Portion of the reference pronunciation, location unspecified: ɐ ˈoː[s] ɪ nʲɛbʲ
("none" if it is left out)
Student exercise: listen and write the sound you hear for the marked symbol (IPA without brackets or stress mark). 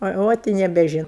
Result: t